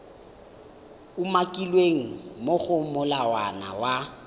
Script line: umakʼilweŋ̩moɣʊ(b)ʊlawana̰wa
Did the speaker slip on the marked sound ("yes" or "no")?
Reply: yes